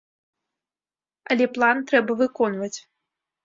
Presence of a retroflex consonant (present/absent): absent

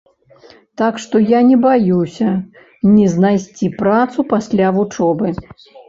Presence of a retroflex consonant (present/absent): present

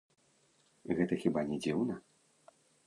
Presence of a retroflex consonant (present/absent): absent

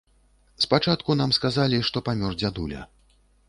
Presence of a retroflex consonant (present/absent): present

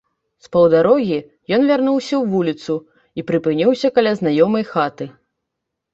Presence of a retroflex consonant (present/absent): absent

